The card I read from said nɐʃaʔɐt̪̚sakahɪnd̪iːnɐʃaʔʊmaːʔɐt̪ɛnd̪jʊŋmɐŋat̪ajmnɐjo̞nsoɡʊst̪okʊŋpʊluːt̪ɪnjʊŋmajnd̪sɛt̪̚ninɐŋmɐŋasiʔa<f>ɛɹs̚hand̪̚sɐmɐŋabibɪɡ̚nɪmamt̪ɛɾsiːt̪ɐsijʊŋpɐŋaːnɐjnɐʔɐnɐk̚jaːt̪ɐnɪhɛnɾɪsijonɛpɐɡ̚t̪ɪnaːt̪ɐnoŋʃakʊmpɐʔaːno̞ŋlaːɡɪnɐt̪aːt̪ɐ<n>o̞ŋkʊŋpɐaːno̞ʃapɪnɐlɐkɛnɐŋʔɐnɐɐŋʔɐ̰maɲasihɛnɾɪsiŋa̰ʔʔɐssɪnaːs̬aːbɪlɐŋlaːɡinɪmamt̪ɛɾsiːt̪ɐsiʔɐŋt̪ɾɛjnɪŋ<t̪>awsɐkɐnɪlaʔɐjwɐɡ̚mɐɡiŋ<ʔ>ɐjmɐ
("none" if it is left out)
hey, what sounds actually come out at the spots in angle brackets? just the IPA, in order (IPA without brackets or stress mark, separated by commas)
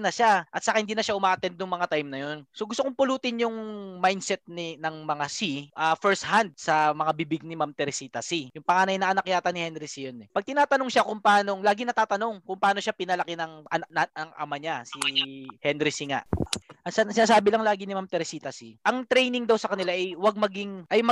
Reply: f, n, d̪, ʔ